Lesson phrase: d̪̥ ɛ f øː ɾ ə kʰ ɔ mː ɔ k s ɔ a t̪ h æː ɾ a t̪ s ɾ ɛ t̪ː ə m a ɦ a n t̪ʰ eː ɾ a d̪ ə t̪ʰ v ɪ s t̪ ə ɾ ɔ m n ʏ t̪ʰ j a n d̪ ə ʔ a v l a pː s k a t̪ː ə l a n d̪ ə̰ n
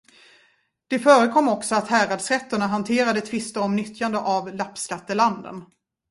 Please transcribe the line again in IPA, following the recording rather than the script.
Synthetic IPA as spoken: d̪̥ ɛ f œː ɾ ə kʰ ɔ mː ɔ k s ɔ a t̪ h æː ɾ a d̪ s ɾ ɛ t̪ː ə ɳ a ɦ a n t̪ʰ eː ɾ a d̪ ə t̪ʰ v ɪ s t̪ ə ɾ ɔ m n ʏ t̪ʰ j a n d̪ ə ʔ a v l a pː s k a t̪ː ə l a n d̪ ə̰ n